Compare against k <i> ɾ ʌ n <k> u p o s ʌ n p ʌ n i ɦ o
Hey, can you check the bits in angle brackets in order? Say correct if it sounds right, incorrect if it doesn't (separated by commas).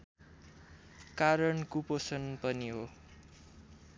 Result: incorrect, correct